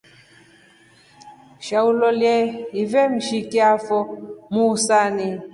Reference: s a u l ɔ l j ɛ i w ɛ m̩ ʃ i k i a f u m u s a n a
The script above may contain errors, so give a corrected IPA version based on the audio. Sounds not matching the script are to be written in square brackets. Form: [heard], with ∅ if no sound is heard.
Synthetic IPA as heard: [ʃ] a u l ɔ l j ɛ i [v] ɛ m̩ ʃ i k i a f [ɔ] m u s a n [i]